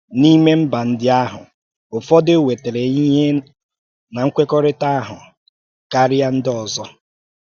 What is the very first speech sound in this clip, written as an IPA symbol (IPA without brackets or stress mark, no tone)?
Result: n